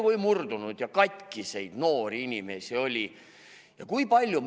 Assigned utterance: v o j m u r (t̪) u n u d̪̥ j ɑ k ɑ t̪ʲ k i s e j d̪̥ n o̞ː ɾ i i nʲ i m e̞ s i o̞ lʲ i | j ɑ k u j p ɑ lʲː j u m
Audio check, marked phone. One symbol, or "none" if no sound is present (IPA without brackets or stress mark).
d̪